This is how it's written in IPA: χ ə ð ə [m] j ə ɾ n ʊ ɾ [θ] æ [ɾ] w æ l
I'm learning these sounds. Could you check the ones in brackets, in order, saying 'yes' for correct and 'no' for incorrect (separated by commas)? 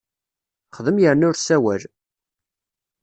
yes, no, no